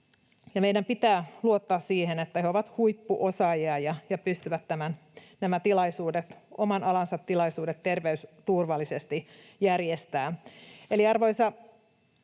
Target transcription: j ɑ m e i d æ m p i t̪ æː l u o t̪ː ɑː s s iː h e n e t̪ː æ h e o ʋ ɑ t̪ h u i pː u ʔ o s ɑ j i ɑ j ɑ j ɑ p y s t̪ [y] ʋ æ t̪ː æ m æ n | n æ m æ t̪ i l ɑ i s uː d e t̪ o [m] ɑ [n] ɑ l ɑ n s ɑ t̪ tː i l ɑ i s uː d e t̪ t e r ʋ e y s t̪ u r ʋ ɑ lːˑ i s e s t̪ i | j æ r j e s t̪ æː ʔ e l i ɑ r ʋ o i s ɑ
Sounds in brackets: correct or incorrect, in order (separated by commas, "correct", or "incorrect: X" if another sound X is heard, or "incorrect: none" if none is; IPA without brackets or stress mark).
correct, correct, correct